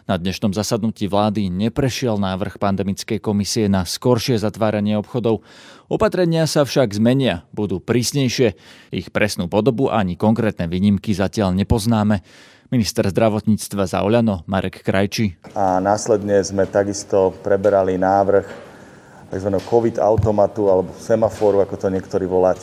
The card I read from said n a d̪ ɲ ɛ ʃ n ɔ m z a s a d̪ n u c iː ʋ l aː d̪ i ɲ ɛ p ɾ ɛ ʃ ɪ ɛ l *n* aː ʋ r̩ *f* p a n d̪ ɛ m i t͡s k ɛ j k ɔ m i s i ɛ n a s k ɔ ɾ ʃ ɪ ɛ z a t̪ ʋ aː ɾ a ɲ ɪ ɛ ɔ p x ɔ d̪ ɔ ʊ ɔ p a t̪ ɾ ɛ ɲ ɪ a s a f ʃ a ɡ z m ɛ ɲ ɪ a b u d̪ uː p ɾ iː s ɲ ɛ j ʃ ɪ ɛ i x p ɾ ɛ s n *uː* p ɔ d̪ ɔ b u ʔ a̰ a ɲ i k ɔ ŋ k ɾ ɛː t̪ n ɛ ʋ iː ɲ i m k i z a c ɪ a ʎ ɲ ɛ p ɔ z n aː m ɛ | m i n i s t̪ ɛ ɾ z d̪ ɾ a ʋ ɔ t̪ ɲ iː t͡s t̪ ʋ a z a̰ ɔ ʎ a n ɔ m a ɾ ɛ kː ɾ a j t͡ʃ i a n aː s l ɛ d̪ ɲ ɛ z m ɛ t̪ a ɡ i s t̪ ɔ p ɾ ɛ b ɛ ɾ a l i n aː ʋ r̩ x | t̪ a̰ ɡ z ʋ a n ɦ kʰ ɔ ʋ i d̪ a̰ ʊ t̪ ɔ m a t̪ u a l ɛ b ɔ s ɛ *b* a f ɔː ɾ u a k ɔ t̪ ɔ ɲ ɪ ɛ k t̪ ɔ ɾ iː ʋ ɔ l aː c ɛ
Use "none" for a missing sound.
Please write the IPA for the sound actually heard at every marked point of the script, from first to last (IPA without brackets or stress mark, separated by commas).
n, x, uː, m